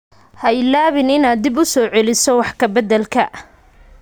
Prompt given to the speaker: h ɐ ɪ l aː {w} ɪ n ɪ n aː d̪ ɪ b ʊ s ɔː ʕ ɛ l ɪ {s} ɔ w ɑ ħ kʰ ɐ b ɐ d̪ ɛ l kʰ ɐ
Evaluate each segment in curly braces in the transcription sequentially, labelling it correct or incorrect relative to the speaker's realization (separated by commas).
incorrect, correct